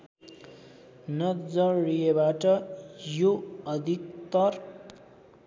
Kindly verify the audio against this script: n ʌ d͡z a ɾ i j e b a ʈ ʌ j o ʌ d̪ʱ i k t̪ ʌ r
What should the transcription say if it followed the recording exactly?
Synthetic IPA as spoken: n ʌ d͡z ʌ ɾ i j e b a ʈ ʌ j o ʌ d̪ʱ i k t̪ ʌ r